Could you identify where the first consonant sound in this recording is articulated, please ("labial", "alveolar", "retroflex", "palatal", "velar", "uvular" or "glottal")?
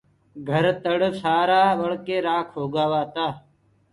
velar